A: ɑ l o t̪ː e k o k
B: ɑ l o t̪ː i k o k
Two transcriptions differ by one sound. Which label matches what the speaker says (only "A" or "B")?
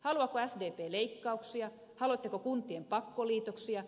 A